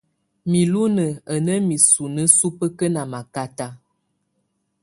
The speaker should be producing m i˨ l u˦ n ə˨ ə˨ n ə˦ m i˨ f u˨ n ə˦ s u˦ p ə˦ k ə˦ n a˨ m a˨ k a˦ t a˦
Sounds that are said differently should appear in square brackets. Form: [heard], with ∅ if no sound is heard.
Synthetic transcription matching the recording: m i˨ l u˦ n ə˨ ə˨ n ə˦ m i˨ [s] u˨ n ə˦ s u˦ p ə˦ k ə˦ n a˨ m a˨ k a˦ t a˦